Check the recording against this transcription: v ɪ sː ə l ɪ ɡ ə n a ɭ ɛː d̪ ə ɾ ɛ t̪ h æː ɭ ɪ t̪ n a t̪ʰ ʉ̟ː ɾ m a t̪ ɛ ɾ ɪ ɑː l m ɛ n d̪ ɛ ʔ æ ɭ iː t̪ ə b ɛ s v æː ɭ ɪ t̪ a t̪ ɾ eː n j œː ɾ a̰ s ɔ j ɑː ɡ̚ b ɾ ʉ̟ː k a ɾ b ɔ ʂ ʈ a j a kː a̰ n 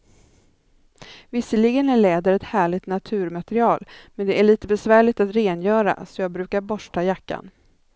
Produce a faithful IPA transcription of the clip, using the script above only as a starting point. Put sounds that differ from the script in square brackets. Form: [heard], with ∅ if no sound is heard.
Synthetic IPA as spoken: v ɪ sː ə l ɪ ɡ ə n [æ] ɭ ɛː d̪ ə ɾ ɛ t̪ h æː ɭ ɪ t̪ n a t̪ʰ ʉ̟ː ɾ m a t̪ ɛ ɾ ɪ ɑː l m ɛ n d̪ ɛ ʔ æ ɭ iː t̪ ə b ɛ s v æː ɭ ɪ t̪ a t̪ ɾ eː n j œː ɾ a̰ s ɔ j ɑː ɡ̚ b ɾ ʉ̟ː k a ɾ b ɔ ʂ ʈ a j a kː a̰ n